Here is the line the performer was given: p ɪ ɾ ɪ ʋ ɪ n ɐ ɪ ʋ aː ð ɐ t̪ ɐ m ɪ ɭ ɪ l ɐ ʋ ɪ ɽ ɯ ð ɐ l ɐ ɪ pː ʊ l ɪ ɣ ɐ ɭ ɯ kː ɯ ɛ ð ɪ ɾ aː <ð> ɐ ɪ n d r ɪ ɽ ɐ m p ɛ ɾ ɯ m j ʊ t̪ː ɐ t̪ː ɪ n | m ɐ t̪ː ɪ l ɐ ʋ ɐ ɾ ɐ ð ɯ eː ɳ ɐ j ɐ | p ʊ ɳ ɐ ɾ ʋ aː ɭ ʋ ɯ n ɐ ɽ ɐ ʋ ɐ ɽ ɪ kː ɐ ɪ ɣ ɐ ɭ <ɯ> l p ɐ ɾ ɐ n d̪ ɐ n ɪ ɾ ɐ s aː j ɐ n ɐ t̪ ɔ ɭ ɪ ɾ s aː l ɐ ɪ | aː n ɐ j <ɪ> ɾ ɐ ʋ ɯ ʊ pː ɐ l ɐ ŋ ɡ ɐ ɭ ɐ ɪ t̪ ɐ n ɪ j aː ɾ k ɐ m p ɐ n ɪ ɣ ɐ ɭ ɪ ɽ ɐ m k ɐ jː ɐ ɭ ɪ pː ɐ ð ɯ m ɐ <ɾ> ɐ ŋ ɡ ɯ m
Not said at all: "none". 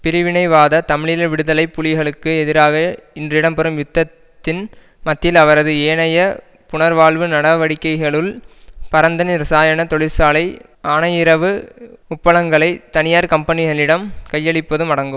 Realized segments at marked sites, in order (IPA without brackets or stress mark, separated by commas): ɣ, ɯ, ɪ, ɽ